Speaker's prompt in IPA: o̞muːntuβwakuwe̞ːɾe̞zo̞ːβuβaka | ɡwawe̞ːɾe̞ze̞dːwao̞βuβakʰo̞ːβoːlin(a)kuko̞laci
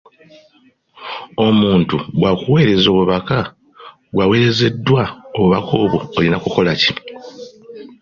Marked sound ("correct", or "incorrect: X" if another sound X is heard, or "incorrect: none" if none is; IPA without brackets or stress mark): correct